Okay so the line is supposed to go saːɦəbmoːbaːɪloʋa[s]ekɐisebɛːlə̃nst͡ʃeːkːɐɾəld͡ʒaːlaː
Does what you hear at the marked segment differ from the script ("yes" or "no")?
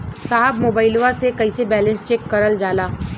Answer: no